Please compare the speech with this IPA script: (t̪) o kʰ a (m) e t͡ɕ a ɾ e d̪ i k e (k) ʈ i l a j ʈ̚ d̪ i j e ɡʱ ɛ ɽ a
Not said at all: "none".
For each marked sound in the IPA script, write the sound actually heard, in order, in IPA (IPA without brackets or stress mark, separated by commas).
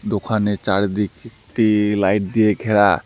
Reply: d̪, n, k